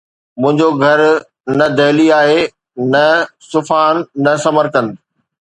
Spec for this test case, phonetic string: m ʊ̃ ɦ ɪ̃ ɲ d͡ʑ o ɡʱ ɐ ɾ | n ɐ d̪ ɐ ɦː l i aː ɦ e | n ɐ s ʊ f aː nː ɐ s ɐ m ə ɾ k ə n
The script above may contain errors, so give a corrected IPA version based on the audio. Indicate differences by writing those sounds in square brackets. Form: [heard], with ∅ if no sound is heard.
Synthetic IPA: m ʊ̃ ɦ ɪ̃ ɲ d͡ʑ o ɡʱ ɐ ɾ | n ɐ d̪ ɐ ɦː l i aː ɦ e | n ɐ s ʊ f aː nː ɐ s ɐ m ə ɾ k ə n